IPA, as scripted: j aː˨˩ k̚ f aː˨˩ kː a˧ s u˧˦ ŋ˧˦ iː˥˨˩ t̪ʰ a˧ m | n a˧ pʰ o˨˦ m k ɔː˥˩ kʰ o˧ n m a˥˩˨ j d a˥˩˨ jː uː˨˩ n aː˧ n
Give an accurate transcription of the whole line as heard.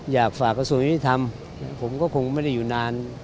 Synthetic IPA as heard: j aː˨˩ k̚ f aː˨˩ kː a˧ s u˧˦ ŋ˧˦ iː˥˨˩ t̪ʰ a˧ m | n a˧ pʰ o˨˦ m k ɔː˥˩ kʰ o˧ ŋ m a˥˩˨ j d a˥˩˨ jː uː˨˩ n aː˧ n